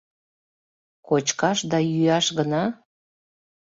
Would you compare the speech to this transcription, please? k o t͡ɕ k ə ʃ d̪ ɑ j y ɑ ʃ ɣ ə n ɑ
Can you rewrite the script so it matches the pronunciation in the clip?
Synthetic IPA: k o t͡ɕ k ɑ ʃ d̪ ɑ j y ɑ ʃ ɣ ə n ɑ

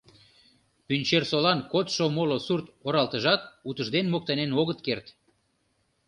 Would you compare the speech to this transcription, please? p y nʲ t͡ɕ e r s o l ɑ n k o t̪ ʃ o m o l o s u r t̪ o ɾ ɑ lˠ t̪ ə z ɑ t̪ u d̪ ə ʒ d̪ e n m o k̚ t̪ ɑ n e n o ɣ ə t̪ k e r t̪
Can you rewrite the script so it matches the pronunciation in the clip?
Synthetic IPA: p y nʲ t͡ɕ e r s o l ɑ n k o t̪ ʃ o m o l o s u r t̪ o ɾ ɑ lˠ t̪ ə ʒ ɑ t̪ u t̪ ə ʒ d̪ e n m o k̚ t̪ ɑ n e n o ɣ ə t̪ k e r t̪

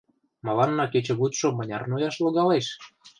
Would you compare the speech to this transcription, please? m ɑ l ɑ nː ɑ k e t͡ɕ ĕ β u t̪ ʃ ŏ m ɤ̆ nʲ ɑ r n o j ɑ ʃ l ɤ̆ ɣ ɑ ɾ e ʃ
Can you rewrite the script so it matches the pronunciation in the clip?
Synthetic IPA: m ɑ l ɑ nː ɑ k e t͡ɕ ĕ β u t̪ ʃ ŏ m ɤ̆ nʲ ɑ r n o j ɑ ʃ l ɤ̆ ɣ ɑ l e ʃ

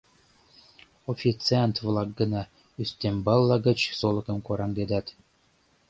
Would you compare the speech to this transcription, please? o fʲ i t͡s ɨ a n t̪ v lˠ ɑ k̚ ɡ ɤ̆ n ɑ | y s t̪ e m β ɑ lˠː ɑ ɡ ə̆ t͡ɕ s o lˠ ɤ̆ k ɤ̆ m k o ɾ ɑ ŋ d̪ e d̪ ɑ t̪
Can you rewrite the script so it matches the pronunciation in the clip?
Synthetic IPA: o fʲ i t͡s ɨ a n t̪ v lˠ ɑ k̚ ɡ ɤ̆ n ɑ | y s t̪ e m b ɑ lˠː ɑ ɡ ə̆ t͡ɕ s o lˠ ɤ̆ k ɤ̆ m k o ɾ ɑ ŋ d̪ e d̪ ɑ t̪

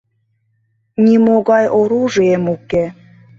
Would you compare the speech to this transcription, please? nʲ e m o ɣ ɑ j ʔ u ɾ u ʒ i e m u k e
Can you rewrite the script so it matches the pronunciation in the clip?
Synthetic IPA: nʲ i m o ɣ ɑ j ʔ o ɾ u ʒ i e m u k e

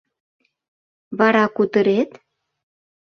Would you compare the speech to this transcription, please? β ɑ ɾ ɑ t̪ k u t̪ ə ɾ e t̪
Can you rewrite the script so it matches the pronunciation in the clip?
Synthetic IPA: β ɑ ɾ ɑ k u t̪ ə ɾ e t̪

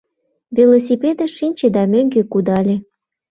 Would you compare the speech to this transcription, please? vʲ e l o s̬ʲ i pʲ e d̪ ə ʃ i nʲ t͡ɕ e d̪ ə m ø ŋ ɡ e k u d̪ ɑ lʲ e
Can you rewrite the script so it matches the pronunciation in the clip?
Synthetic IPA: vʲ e l o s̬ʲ i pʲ e d̪ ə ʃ i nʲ t͡ɕ e d̪ ɑ m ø ŋ ɡ e k u d̪ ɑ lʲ e

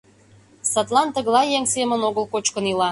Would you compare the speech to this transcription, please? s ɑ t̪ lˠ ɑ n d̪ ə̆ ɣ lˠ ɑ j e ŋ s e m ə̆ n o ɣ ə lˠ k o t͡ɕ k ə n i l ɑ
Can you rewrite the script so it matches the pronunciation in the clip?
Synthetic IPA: s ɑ t̪ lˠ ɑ n t̪ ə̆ ɣ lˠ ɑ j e ŋ s e m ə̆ n o ɣ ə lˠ k o t͡ɕ k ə n i l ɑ

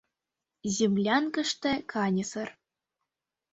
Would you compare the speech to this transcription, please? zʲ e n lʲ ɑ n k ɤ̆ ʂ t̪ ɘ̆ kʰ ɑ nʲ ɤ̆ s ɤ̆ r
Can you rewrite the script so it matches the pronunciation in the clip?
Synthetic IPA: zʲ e m lʲ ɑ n k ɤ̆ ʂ t̪ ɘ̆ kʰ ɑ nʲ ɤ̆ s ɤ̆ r

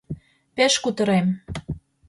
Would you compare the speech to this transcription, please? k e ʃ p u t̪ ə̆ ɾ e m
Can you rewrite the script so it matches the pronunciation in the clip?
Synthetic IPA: p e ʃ k u t̪ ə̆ ɾ e m

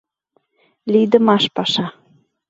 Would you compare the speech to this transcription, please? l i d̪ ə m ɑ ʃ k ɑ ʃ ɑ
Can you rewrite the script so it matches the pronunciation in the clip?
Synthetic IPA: l i d̪ ə m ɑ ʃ p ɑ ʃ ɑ

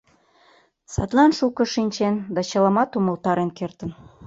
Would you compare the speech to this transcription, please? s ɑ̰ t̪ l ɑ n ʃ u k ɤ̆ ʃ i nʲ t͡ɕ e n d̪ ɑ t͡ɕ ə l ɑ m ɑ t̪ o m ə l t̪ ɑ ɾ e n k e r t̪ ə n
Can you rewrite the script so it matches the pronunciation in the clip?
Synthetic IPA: s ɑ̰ t̪ l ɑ n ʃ u k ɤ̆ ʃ i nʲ t͡ɕ e n d̪ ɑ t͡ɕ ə l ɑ m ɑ t̪ u m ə l t̪ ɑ ɾ e n k e r t̪ ə n

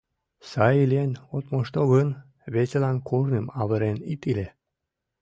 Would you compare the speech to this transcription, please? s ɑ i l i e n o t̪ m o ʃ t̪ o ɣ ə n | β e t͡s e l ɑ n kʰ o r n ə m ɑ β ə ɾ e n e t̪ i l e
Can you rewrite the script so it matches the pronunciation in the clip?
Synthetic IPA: s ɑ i l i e n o t̪ m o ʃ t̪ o ɣ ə n | β e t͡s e l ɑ n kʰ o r n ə m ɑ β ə ɾ e n i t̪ i l e

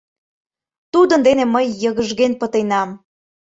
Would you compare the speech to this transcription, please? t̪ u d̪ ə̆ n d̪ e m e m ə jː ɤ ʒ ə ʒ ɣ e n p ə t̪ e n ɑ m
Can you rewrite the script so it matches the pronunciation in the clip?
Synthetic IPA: t̪ u d̪ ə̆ n d̪ e n e m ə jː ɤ ɣ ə ʒ ɣ e n p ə t̪ e n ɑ m

